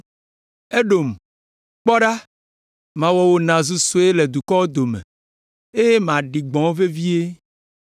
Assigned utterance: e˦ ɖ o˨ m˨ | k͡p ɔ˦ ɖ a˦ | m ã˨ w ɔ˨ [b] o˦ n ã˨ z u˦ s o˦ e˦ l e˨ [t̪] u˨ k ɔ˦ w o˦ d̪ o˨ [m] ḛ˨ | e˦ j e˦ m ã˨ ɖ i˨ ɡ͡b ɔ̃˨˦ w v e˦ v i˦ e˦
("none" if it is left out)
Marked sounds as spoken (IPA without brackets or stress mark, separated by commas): w, d̪, m